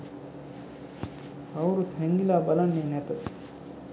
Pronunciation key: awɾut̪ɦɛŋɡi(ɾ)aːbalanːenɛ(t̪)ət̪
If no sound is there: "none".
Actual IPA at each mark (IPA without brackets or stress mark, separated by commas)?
l, t̪